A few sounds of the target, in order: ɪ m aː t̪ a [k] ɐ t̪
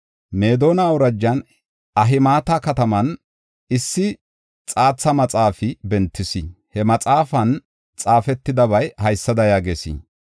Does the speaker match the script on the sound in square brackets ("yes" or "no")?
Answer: yes